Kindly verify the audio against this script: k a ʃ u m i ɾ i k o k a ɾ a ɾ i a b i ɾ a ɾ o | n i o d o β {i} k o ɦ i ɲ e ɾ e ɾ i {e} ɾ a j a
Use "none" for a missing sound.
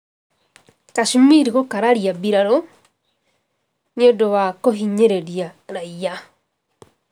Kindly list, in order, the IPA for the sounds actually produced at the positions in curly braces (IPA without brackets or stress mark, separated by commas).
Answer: a, a